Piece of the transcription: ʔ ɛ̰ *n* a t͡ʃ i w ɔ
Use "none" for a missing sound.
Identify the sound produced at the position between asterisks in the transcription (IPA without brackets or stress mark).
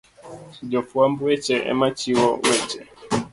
m